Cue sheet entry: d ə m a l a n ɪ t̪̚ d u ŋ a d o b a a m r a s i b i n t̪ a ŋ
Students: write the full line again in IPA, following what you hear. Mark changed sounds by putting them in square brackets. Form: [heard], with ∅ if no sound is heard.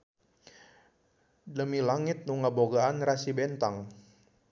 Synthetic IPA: d ə m [i] l a [ŋ] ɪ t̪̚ [n] u ŋ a [b] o [ɡ] a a [n] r a s i b [ɛ] n t̪ a ŋ